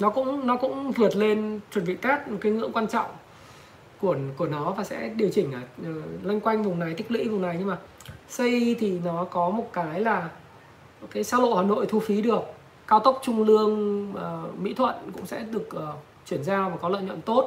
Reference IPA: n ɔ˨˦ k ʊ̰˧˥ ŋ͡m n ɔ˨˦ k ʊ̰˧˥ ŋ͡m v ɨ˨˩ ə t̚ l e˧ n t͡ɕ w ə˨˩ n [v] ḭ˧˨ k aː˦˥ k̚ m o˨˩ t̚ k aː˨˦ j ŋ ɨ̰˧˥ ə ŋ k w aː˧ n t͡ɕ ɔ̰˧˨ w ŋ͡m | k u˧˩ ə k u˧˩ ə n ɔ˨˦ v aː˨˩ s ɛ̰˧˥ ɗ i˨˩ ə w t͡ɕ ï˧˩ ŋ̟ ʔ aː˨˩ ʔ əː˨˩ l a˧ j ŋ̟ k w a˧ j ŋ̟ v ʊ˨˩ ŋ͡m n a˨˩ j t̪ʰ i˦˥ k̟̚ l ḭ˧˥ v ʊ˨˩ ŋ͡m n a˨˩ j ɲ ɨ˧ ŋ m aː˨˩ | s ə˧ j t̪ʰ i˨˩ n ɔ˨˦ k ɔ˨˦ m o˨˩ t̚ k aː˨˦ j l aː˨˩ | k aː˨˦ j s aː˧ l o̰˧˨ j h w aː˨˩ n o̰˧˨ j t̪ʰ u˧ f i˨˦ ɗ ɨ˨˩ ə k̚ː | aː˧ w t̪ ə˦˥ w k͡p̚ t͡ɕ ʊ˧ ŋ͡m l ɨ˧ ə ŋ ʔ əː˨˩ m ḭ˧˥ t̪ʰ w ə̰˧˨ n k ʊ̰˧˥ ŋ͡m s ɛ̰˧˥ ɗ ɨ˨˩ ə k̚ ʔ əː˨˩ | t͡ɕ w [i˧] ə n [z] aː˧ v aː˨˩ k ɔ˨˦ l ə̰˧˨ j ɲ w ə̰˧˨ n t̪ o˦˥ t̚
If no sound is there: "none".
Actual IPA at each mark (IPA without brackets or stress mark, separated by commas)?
v, i˧˩, z